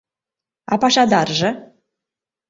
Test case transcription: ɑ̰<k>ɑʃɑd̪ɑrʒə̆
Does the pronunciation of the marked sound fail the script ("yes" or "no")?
yes